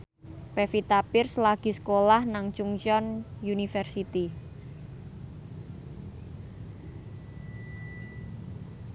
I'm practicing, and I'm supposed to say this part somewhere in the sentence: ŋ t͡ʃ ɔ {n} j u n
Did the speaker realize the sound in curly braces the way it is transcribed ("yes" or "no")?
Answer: yes